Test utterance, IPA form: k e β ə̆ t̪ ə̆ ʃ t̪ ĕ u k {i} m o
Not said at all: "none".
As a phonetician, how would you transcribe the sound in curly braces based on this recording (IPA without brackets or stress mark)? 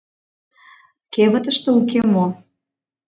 e